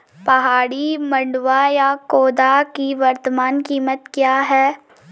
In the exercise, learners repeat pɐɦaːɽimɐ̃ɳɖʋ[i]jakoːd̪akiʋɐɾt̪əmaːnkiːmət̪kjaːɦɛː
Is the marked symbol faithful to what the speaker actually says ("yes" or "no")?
no